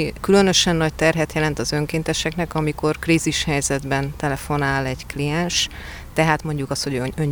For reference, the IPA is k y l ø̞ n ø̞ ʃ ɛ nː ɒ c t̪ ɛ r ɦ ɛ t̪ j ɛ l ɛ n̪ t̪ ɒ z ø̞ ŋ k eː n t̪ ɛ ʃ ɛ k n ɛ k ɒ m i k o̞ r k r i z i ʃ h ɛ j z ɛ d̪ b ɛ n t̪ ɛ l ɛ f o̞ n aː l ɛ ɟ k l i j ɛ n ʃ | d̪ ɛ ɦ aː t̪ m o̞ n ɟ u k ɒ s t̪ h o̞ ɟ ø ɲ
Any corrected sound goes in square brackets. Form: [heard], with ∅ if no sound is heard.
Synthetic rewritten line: k y l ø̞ n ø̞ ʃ ɛ nː ɒ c t̪ ɛ r ɦ ɛ t̪ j ɛ l ɛ n̪ t̪ ɒ z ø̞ ŋ k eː n t̪ ɛ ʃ ɛ k n ɛ k ɒ m i k o̞ r k r i z i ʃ h ɛ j z ɛ d̪ b ɛ n t̪ ɛ l ɛ f o̞ n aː l ɛ ɟ k l i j ɛ n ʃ | [t̪] ɛ ɦ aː t̪ m o̞ [ɲ] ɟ u k ɒ s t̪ h o̞ ɟ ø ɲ